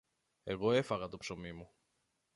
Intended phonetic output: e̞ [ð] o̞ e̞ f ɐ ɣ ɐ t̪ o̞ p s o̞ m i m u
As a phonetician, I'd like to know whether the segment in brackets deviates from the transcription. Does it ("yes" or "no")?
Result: yes